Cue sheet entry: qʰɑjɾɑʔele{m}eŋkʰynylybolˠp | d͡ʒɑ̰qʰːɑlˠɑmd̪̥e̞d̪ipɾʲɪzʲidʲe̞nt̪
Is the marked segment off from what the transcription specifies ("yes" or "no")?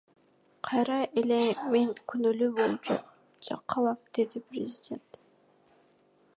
no